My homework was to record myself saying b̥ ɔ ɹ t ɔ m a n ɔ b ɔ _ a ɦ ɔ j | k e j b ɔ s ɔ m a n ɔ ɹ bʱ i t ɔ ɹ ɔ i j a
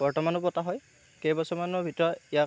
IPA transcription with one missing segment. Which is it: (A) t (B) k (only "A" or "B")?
A